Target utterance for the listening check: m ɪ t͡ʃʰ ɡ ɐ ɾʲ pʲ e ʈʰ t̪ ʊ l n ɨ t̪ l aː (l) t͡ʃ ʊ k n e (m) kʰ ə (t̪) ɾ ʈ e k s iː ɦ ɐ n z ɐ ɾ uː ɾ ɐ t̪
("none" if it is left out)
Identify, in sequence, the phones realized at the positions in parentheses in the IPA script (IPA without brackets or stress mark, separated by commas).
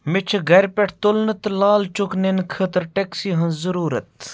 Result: l, n, t̪